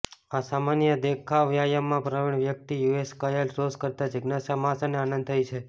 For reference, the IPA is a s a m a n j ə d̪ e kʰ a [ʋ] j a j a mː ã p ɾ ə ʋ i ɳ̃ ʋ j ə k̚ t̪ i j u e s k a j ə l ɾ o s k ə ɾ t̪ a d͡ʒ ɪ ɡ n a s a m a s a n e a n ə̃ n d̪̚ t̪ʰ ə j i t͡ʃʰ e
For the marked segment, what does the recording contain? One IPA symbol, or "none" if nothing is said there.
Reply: ʋ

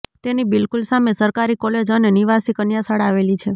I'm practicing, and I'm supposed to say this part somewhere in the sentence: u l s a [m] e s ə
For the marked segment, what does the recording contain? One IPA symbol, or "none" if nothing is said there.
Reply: m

